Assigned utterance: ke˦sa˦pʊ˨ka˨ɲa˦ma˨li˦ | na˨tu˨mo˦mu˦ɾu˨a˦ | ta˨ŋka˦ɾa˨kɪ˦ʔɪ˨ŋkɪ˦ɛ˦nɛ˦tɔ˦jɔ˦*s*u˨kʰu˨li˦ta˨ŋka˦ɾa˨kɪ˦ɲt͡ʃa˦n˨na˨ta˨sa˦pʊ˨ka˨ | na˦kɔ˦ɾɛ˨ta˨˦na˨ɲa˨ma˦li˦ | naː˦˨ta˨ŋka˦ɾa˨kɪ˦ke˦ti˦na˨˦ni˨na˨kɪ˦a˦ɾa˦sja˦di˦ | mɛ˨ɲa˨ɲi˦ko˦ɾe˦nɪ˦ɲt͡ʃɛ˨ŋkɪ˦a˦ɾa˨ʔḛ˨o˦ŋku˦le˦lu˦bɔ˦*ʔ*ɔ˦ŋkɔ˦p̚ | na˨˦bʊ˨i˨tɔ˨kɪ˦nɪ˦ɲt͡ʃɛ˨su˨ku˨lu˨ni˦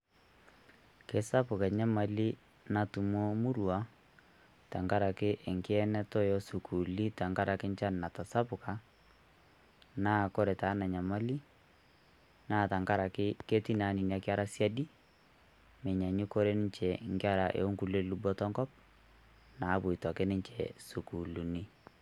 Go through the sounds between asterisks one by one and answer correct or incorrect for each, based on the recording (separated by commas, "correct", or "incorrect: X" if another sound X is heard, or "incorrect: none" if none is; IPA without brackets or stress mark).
correct, incorrect: t